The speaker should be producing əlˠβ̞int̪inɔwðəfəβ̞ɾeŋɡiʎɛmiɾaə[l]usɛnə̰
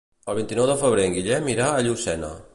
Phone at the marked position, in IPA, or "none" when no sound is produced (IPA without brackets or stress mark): ʎ